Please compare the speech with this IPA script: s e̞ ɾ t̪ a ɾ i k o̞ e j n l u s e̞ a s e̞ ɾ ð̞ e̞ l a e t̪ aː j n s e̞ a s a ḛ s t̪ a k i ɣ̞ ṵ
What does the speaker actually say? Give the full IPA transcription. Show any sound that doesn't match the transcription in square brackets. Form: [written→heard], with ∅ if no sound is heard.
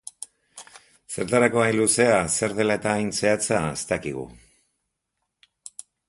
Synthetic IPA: s e̞ ɾ t̪ a ɾ [i→a] k o̞ [e→a] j n l u s e̞ a s e̞ ɾ ð̞ e̞ l a e t̪ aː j n s e̞ a [s→t͡s] a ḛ s t̪ a k i ɣ̞ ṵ

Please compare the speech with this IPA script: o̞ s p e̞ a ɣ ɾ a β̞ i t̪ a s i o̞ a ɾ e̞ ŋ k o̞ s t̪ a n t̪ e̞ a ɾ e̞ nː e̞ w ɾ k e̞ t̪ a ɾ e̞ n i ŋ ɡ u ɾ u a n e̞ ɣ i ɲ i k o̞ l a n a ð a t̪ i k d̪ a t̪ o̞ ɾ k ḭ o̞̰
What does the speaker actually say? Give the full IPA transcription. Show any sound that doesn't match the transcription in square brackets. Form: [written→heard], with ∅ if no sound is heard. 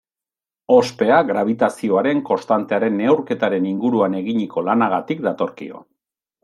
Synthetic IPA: o̞ s p e̞ a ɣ ɾ a β̞ i t̪ a s i o̞ a ɾ e̞ ŋ k o̞ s t̪ a n t̪ e̞ a ɾ e̞ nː e̞ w ɾ k e̞ t̪ a ɾ e̞ n i ŋ ɡ u ɾ u a n e̞ ɣ i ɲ i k o̞ l a n a [ð→ɣ] a t̪ i k d̪ a t̪ o̞ ɾ k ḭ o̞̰

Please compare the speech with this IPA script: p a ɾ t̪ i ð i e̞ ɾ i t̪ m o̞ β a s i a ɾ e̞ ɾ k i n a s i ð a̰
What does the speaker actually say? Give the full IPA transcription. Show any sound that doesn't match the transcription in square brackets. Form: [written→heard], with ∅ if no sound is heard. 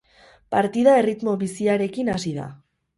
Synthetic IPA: p a ɾ t̪ i ð [i→a] e̞ [ɾ→r] i t̪ m o̞ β [a→i] s i a ɾ e̞ [ɾ→∅] k i n a s i ð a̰

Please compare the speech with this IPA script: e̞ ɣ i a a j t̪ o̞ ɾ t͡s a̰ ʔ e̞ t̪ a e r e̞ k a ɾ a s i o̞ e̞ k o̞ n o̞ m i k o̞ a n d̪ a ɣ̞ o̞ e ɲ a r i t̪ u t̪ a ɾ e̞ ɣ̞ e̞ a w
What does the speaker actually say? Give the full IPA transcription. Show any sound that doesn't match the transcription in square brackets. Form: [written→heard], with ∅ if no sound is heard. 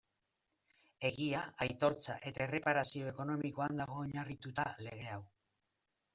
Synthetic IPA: e̞ ɣ i a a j t̪ o̞ ɾ t͡s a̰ ʔ e̞ t̪ a e r e̞ [k→p] a ɾ a s i o̞ e̞ k o̞ n o̞ m i k o̞ a n d̪ a ɣ̞ o̞ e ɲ a r i t̪ u t̪ a [ɾ→l] e̞ ɣ̞ e̞ a w

